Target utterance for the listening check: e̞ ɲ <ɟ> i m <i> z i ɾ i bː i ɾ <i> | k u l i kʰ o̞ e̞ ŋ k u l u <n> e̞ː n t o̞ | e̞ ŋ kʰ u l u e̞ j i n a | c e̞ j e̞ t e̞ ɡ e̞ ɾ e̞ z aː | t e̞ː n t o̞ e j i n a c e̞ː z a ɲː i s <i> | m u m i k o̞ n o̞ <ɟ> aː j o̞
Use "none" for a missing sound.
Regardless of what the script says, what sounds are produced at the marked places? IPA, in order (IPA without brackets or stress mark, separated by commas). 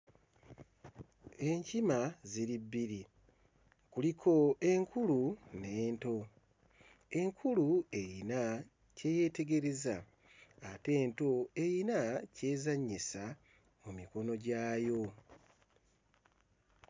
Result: c, a, i, n, a, ɟ